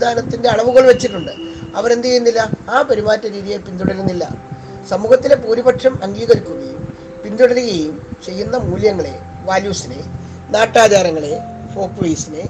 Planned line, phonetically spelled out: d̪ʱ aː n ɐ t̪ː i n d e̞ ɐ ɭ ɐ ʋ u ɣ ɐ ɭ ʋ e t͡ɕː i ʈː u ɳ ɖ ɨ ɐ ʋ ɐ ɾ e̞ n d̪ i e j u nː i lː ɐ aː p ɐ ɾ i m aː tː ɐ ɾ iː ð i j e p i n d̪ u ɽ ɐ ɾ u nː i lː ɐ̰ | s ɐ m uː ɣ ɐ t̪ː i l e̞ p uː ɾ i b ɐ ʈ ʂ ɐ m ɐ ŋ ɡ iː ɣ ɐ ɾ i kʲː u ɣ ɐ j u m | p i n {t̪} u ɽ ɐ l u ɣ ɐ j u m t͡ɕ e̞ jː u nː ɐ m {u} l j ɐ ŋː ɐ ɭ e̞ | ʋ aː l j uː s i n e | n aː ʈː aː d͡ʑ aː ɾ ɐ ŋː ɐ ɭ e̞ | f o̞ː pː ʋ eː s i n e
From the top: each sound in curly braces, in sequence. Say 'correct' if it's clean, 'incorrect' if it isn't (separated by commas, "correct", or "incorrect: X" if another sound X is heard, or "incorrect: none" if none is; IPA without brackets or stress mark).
incorrect: d̪, incorrect: uː